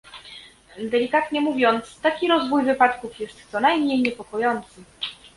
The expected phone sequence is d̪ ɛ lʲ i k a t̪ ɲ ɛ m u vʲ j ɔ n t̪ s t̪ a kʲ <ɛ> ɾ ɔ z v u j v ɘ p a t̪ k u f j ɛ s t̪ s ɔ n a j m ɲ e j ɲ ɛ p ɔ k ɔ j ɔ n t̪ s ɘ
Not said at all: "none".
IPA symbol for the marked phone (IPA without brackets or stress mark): i